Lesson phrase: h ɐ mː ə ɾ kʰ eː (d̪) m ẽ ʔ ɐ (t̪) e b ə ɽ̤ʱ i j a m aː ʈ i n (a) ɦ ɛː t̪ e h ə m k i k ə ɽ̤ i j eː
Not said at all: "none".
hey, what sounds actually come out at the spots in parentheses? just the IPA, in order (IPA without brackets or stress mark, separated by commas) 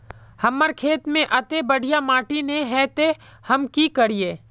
t̪, t̪, e